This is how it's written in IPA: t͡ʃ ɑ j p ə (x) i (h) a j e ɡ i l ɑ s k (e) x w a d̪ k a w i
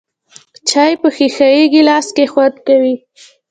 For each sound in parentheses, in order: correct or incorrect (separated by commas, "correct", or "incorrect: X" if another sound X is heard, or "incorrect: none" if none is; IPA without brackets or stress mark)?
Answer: correct, incorrect: x, correct